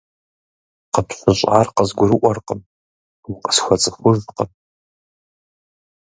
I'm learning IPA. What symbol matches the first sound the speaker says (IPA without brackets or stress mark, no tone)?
q